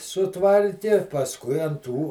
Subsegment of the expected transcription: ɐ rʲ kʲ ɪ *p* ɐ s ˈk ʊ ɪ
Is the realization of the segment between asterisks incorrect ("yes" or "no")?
no